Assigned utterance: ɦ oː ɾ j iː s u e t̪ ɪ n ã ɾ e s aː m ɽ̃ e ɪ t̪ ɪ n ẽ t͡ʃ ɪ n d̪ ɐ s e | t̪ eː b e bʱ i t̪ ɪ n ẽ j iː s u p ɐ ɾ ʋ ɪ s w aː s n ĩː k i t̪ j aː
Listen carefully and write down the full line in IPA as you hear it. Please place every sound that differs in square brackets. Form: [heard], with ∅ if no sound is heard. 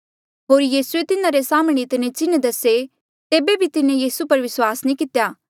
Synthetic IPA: ɦ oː ɾ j iː s u e t̪ ɪ n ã ɾ e s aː m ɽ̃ e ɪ t̪ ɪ n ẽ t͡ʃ ɪ n d̪ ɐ s e | t̪ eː b e bʱ i t̪ ɪ n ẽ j iː s u p ɐ ɾ ʋ ɪ s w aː s n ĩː k [ɪ] t̪ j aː